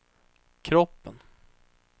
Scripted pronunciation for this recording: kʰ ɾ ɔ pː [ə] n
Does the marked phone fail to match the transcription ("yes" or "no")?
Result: no